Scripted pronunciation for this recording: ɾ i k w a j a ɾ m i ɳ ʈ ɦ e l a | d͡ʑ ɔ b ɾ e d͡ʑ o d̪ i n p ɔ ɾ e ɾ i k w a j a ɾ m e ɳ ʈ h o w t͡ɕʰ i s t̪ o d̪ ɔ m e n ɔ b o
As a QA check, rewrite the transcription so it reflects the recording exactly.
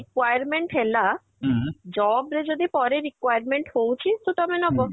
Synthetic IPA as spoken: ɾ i k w a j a ɾ m e ɳ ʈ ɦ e l a | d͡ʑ ɔ b ɾ e d͡ʑ o d̪ i p ɔ ɾ e ɾ i k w a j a ɾ m e ɳ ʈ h o w t͡ɕʰ i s t̪ o t̪ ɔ m e n ɔ b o